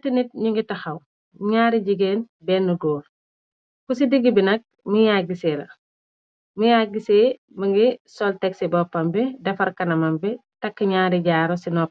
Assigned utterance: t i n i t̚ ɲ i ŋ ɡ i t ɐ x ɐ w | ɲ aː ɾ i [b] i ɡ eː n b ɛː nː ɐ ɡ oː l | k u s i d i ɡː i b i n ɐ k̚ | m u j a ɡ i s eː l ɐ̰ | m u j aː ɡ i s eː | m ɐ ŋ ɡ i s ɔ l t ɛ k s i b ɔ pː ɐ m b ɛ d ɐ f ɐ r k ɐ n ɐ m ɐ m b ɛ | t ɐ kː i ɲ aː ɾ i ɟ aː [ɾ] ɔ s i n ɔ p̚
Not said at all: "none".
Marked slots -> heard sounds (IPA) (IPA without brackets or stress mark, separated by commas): ɟ, ɾ